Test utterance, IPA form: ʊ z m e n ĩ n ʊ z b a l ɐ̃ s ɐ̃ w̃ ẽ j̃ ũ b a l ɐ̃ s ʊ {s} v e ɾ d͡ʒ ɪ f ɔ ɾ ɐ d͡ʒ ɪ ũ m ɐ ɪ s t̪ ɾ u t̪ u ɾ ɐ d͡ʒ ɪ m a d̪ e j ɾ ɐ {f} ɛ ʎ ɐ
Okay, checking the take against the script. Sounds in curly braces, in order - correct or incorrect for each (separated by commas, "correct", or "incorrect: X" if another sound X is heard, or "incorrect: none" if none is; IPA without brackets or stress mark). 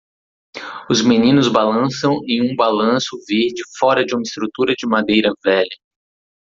incorrect: none, incorrect: v